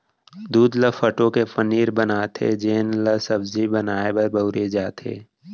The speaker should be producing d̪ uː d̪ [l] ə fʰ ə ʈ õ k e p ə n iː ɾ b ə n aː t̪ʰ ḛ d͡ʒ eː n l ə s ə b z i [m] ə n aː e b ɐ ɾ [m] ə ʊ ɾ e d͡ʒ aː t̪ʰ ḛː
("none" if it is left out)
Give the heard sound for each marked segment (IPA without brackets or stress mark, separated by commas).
l, b, b